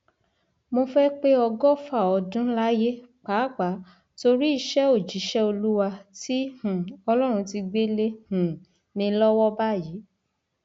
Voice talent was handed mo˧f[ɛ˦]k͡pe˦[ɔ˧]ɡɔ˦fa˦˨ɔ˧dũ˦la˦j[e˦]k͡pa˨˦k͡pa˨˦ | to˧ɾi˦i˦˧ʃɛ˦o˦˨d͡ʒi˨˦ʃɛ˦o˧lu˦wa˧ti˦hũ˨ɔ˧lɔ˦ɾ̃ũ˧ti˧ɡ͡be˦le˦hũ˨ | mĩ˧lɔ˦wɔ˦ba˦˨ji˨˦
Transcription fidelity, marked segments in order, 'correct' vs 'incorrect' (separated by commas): correct, correct, correct